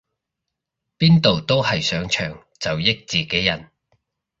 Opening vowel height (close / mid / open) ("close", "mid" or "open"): close